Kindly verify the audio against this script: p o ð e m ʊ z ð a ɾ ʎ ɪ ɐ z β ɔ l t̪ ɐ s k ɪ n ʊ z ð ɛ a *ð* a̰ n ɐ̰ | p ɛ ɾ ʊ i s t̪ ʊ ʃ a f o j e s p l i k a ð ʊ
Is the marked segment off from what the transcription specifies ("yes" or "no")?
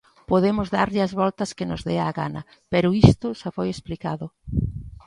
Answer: yes